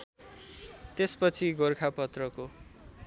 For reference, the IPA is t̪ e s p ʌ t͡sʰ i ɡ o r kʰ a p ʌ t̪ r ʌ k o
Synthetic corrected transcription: t̪ e s p ʌ t͡sʰ i ɡ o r kʰ a p ʌ t̪ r ʌ k o